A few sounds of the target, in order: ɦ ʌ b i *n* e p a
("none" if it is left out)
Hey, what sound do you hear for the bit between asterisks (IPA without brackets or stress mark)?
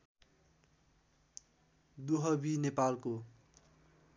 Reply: n